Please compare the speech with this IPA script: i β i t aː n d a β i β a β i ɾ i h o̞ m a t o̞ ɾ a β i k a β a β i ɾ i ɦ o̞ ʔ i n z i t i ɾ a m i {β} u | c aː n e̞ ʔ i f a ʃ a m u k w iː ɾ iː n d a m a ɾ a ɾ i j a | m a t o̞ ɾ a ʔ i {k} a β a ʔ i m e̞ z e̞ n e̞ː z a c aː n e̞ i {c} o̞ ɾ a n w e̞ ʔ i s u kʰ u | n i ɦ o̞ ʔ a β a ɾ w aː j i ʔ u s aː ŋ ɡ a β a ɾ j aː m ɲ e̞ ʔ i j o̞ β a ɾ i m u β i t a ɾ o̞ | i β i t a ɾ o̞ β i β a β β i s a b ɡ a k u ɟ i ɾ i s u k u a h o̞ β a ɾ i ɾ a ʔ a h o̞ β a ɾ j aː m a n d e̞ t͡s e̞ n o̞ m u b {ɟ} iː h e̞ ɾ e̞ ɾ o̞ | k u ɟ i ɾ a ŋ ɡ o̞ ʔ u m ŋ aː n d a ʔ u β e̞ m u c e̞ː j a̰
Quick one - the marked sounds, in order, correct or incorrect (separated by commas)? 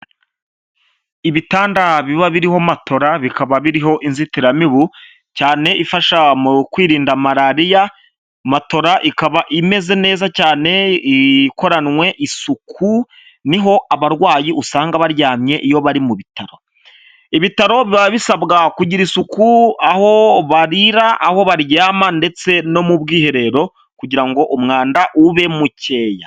correct, correct, incorrect, incorrect